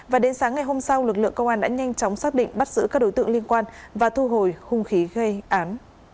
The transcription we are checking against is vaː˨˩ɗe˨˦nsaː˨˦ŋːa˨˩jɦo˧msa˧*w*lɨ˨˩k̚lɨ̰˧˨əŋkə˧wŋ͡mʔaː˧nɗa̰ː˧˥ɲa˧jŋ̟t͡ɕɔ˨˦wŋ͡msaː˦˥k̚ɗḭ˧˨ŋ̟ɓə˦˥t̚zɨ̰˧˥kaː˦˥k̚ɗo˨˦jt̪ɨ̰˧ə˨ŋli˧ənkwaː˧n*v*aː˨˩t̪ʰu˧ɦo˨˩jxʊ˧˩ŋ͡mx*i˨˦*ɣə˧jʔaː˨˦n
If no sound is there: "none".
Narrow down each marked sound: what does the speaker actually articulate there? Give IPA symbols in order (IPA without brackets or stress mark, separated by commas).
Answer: w, v, i˨˦